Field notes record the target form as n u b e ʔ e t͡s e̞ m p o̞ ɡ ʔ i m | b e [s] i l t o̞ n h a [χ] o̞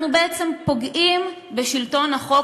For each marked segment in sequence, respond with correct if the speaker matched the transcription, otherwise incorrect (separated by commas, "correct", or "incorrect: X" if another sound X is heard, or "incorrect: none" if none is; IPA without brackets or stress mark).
incorrect: ʃ, correct